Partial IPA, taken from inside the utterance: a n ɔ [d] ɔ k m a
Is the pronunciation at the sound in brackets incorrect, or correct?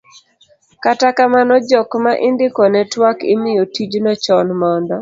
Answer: incorrect